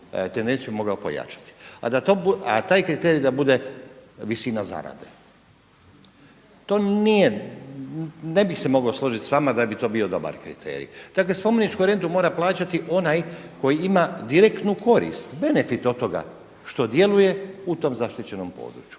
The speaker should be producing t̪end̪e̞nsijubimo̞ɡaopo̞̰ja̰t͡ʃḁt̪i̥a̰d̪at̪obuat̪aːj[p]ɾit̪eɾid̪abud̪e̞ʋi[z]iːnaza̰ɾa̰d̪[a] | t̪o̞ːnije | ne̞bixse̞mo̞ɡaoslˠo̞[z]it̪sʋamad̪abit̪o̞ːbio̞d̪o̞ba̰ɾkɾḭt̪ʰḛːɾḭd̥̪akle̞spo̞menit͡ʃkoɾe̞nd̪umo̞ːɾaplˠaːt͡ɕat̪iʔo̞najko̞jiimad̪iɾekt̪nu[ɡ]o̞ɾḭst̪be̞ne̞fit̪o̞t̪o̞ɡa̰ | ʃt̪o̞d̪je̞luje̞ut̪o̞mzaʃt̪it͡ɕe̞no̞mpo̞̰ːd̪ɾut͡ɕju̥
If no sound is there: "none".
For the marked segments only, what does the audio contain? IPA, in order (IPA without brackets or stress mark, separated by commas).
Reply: k, s, e, ʒ, k